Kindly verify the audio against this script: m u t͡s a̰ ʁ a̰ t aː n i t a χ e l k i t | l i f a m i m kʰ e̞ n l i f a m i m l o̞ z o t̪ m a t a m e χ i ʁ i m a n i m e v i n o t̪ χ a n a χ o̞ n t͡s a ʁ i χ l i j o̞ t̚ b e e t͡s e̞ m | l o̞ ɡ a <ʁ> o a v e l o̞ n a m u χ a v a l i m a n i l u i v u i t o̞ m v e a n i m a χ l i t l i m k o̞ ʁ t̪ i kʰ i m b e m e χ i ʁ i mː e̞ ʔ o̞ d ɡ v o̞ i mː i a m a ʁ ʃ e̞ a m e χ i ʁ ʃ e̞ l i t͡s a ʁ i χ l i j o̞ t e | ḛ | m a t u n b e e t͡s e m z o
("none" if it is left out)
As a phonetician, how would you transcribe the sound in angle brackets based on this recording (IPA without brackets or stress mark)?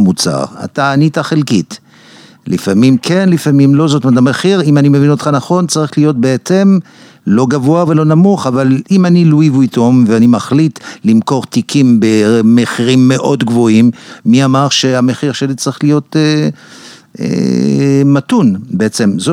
v